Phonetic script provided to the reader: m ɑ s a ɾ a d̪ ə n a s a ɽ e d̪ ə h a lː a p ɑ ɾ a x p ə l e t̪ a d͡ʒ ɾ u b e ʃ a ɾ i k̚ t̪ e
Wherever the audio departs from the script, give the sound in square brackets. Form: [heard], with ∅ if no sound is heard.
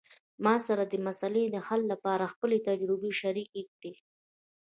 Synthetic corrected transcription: m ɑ s a ɾ a d̪ ə [m] a s a [l] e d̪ ə h a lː a p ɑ ɾ a x p ə l e t̪ a d͡ʒ ɾ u b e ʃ a ɾ i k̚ [d̪] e